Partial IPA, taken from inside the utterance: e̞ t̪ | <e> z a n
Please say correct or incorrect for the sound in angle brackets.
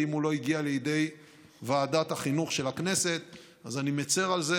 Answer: incorrect